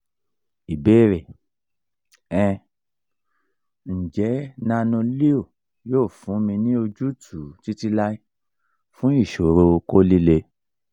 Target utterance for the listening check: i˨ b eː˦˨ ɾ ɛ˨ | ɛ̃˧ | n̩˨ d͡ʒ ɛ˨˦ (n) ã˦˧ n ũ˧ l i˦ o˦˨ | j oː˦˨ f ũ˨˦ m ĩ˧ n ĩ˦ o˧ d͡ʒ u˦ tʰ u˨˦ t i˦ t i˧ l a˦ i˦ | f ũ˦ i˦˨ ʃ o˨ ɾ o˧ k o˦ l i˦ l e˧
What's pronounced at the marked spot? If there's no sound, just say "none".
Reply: n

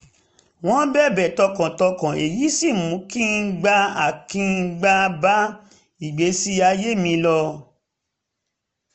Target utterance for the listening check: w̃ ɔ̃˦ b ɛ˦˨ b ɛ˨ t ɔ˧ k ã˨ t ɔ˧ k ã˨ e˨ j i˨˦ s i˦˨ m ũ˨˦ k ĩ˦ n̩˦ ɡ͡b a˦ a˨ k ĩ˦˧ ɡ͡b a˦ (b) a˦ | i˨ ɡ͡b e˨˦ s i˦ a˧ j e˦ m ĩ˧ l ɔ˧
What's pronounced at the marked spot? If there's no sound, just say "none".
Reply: b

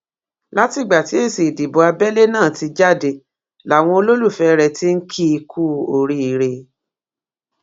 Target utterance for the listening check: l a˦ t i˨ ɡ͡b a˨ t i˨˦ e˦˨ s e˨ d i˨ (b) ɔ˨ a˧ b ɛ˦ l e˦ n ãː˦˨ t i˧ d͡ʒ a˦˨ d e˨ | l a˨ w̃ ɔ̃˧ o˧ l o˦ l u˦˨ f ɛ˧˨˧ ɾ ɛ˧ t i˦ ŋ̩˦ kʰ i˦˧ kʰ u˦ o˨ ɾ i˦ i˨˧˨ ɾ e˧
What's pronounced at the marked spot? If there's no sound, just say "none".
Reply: b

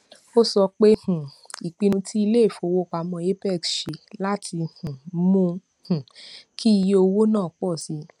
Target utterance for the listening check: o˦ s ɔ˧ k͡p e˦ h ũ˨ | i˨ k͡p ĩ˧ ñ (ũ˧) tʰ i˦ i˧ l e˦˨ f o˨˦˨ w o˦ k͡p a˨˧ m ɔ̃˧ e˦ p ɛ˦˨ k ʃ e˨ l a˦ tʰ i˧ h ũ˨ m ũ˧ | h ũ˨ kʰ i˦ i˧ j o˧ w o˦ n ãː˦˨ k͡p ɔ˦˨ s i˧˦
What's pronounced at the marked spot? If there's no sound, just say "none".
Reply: ũ˧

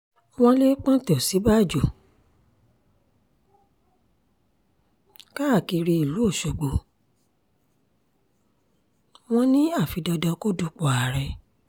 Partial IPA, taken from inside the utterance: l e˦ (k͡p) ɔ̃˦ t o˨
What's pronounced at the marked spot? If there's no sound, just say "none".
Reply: k͡p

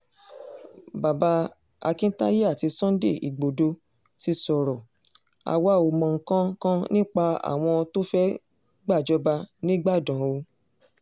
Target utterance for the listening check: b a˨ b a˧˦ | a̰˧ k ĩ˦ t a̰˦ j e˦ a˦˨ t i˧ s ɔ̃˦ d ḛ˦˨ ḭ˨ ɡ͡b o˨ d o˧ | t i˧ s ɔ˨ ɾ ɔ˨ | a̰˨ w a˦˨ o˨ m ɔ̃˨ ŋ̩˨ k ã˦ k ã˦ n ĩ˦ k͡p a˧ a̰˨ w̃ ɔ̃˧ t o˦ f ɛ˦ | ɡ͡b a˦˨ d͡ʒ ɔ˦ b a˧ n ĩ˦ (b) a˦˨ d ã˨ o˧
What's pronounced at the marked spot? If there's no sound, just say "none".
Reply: ɡ͡b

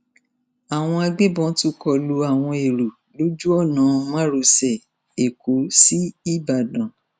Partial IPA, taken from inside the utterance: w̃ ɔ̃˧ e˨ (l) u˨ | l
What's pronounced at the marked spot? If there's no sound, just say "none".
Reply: ɾ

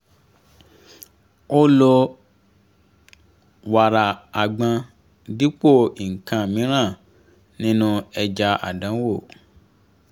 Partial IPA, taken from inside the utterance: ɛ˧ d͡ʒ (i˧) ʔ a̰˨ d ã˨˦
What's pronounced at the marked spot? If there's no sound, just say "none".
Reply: a˧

